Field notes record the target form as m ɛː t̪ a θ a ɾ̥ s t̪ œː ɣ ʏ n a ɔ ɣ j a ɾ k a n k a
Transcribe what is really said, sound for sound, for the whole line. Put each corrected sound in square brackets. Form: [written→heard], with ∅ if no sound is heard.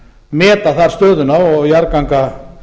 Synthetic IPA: m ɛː t̪ a θ a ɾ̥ s t̪ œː [ɣ→ð] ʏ n a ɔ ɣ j a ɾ k a [n→ŋ] k a